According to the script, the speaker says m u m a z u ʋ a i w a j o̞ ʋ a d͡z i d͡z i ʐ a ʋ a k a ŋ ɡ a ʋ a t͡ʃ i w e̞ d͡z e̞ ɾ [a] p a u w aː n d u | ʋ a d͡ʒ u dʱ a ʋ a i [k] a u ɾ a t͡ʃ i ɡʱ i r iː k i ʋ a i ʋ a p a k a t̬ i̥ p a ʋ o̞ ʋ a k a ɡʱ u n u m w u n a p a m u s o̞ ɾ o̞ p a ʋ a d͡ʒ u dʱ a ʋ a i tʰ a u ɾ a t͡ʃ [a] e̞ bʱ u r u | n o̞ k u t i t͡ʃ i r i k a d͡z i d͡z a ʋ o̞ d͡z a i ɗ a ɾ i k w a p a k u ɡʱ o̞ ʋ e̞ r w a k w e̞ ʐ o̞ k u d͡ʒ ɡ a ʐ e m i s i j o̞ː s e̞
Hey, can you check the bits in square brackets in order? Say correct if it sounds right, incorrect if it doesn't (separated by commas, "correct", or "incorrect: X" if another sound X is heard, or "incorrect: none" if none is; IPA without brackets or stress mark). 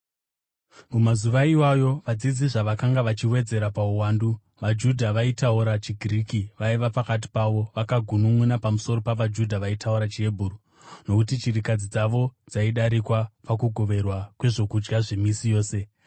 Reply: correct, incorrect: t, incorrect: i